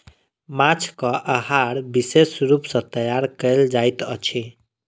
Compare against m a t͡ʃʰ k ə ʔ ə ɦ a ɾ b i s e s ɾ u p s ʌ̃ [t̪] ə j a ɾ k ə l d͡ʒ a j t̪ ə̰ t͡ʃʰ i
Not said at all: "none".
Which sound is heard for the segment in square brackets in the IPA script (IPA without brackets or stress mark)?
t̪